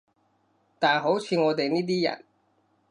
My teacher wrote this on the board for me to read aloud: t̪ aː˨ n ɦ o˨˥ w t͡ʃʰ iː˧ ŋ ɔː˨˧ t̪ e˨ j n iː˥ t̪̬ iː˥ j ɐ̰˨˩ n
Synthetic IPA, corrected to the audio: t̪ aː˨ n ɦ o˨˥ w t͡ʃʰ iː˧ ŋ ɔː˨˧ t̪ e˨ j n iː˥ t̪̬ iː˥ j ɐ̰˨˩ n